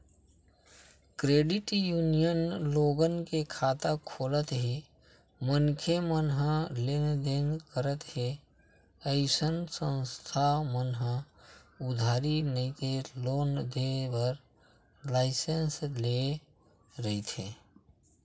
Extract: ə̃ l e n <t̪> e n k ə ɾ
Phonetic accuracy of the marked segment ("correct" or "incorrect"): incorrect